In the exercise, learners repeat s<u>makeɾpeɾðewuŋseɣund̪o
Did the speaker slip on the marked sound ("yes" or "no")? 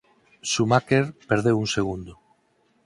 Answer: no